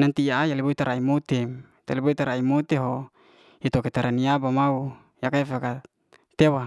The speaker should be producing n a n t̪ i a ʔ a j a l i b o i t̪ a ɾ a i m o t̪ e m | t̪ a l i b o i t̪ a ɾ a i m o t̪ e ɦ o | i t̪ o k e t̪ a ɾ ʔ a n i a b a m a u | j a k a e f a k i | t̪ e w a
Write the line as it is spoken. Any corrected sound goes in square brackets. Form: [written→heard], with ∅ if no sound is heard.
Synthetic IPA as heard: n a n t̪ i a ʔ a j a l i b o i t̪ a ɾ a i m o t̪ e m | t̪ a l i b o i t̪ a ɾ a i m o t̪ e ɦ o | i t̪ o k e t̪ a ɾ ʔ a n i a b a m a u | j a k a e f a k [i→a] | t̪ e w a

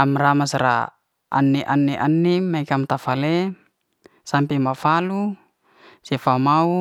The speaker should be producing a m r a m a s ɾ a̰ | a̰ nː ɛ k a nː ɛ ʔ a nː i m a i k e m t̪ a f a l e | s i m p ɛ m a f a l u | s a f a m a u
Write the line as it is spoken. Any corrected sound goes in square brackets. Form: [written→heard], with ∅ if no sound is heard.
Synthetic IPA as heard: a m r a m a s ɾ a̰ | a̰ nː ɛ [k→ʔ] a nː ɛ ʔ a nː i m a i k [e→a] m t̪ a f a l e | s [i→a] m p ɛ m a f a l u | s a f a m a u

